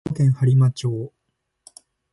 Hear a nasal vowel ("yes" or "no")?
yes